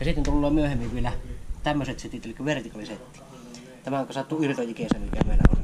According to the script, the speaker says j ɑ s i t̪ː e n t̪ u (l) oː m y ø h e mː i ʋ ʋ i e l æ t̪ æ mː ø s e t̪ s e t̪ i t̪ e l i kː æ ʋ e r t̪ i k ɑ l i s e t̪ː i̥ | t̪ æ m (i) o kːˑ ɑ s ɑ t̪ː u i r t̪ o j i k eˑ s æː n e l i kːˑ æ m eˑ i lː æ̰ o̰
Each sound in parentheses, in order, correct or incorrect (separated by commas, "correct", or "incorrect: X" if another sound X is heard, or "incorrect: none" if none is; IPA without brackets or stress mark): incorrect: lː, incorrect: æ